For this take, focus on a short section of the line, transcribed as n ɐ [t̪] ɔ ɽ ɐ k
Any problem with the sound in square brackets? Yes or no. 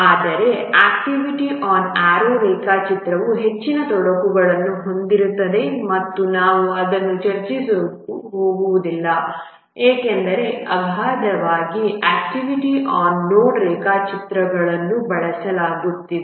no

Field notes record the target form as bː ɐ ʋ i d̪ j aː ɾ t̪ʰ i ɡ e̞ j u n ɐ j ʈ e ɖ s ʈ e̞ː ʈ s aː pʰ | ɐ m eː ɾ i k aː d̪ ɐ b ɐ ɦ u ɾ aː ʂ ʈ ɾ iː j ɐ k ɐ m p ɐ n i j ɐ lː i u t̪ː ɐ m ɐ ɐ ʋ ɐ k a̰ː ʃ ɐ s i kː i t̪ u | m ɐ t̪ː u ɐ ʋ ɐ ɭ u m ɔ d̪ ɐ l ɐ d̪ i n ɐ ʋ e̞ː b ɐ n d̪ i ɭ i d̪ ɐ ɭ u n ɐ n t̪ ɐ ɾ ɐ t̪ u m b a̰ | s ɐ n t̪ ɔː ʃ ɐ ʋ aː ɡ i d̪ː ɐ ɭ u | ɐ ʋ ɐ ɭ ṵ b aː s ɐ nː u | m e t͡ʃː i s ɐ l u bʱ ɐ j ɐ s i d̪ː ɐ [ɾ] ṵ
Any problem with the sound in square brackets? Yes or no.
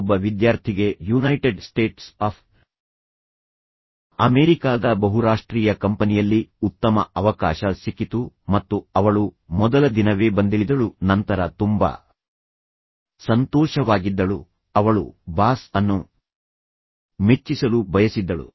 yes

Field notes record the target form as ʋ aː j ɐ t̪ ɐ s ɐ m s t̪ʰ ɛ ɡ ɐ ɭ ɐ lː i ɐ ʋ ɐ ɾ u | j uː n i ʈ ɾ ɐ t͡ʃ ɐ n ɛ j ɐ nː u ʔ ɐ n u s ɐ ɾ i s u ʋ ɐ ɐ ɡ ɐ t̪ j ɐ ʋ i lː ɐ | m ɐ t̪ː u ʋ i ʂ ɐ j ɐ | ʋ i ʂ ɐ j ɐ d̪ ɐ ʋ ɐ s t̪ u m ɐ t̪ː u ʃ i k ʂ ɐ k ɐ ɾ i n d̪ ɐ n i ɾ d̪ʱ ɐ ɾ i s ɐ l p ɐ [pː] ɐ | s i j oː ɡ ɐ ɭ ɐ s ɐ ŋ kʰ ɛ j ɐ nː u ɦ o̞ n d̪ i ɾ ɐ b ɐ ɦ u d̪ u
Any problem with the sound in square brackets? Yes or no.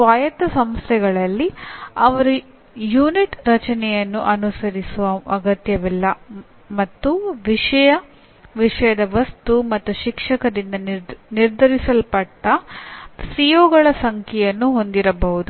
yes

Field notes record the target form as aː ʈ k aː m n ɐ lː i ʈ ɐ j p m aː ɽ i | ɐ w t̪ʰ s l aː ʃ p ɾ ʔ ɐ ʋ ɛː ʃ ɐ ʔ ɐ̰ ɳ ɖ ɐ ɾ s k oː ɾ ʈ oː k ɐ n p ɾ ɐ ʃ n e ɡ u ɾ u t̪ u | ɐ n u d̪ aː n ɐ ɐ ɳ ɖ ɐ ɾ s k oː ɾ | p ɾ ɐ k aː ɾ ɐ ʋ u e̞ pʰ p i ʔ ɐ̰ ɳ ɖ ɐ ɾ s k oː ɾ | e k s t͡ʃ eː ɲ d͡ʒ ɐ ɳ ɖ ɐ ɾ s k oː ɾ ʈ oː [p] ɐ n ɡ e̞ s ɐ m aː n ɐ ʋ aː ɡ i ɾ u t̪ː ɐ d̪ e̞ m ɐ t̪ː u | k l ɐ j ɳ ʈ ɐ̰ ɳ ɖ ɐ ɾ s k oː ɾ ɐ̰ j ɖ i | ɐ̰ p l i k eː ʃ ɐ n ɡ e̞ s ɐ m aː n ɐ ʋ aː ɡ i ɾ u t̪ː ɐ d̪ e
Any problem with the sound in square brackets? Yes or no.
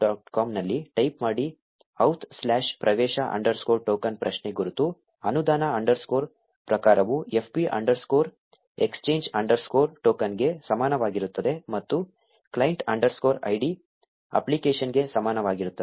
yes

